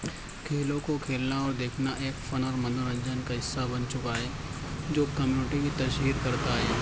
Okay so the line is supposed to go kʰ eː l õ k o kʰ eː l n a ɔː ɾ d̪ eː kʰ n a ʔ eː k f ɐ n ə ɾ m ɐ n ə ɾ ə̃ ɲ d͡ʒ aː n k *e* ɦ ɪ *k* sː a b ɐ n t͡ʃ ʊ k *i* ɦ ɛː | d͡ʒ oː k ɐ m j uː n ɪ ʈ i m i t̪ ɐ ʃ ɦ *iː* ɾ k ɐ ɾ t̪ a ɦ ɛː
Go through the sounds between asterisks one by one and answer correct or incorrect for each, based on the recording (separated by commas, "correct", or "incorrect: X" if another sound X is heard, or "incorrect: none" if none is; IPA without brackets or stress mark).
incorrect: a, incorrect: none, incorrect: a, correct